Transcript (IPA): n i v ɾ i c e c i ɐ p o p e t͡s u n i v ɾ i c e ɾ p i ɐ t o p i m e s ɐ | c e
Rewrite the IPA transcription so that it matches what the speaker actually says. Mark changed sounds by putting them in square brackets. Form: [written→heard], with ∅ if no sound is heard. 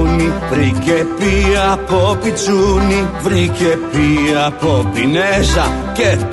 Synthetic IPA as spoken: n i v ɾ i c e [c→p] i ɐ p o p [e→i] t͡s u n i v ɾ i c e [ɾ→∅] p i ɐ [t→p] o p i [m→n] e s ɐ | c e